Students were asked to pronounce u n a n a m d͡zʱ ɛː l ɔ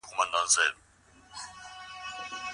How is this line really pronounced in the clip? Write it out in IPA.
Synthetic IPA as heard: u m a n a n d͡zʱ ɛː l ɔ